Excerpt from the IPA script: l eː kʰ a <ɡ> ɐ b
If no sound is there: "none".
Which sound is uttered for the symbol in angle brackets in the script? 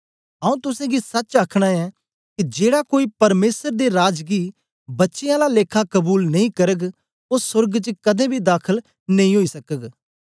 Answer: k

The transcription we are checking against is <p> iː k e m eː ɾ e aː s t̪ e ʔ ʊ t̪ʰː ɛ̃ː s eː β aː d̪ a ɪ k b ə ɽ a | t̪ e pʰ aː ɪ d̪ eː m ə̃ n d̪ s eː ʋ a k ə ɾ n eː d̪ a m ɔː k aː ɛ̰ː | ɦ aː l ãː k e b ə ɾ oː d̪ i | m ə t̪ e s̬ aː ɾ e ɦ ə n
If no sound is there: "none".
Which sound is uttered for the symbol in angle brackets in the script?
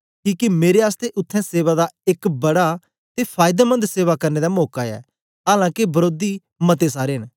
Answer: k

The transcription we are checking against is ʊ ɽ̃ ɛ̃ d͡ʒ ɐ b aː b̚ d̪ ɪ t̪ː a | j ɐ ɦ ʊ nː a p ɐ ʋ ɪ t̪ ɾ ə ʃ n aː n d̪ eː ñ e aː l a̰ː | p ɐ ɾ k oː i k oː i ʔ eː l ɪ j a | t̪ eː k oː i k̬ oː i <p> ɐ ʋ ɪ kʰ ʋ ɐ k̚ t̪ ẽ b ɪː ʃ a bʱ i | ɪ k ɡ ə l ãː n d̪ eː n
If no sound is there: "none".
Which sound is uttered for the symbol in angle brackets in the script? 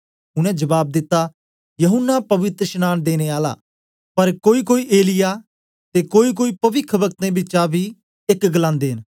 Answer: p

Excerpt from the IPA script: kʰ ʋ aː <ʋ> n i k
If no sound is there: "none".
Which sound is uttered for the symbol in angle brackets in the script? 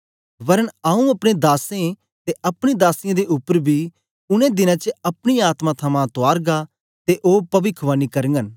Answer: none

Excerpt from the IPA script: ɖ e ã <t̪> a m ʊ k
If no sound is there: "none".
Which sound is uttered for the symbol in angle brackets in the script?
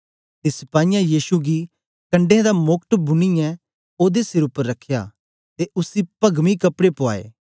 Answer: d̪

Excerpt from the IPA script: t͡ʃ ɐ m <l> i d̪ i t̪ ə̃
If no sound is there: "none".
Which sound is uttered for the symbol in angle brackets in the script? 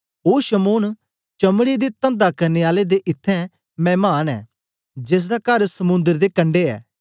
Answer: ɽ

